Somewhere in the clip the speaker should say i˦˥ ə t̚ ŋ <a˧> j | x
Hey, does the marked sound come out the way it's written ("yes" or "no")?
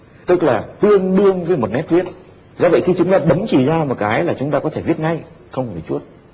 yes